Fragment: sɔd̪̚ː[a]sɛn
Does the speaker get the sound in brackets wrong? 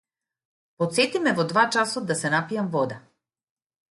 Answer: no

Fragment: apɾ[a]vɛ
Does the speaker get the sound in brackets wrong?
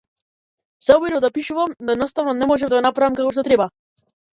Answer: no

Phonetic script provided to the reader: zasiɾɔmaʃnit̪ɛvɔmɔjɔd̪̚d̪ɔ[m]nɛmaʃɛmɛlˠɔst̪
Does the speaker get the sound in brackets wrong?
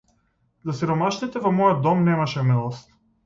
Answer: no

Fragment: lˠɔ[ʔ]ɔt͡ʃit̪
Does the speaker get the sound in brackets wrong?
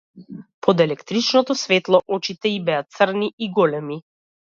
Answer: no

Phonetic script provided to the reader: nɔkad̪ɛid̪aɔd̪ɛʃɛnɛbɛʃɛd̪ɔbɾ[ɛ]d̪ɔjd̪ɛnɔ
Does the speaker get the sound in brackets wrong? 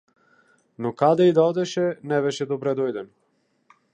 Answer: no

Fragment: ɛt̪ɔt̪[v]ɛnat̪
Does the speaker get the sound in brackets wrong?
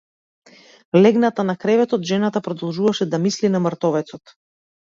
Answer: yes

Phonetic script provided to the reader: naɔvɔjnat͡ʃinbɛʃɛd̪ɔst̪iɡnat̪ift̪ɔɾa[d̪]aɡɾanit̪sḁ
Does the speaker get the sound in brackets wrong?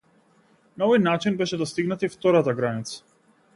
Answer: yes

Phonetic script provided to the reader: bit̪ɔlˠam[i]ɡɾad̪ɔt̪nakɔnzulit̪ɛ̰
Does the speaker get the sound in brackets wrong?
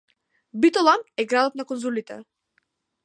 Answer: yes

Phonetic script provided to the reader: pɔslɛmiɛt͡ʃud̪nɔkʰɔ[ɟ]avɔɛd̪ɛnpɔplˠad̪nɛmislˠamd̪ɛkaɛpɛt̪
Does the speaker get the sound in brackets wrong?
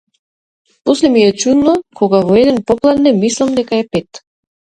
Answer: yes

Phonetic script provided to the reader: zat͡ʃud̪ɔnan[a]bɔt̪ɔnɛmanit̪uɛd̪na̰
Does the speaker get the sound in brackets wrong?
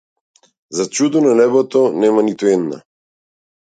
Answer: yes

